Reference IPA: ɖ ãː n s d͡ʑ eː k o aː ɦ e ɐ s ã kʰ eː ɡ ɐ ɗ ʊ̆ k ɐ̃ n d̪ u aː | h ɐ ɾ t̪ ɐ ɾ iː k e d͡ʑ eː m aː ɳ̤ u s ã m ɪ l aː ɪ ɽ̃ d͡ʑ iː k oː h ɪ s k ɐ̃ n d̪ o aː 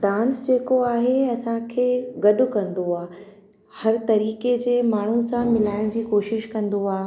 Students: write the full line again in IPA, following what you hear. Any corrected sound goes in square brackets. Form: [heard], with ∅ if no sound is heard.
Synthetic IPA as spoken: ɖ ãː n s d͡ʑ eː k o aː ɦ e ɐ s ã kʰ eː ɡ ɐ ɗ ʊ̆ k ɐ̃ n d̪ [o] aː | h ɐ ɾ t̪ ɐ ɾ iː k e d͡ʑ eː m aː ɳ̤ u s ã m ɪ l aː ɪ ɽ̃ d͡ʑ iː k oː [ʃ] ɪ [ʃ] k ɐ̃ n d̪ o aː